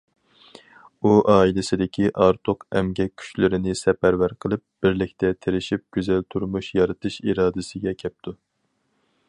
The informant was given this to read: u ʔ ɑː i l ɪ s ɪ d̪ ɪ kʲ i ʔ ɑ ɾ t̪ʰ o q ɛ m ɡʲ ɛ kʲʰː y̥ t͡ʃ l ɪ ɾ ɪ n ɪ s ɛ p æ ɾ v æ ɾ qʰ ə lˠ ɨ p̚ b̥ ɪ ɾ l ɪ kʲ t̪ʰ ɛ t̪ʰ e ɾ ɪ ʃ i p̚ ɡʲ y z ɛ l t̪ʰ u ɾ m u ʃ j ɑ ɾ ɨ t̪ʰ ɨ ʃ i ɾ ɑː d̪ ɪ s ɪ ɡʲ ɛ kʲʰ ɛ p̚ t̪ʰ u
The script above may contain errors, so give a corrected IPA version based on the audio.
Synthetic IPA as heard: u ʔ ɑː i l ɪ s ɪ d̪ ɪ kʲ i ʔ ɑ ɾ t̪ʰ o q ɛ m ɡʲ ɛ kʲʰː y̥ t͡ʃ l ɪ ɾ ɪ n ɪ s ɛ p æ ɾ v æ ɾ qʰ ə lˠ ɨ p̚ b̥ ɪ ɾ l ɪ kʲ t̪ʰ ɛ t̪ʰ e ɾ ɪ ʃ i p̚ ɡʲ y z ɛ l t̪ʰ u ɾ m u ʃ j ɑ ɾ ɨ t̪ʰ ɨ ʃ i ɾ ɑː d̪ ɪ s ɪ ɡʲ ɛ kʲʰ ɛ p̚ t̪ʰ u